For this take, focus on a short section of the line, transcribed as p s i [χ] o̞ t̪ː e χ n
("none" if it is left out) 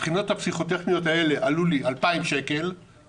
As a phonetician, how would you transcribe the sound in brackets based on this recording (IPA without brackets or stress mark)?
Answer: χ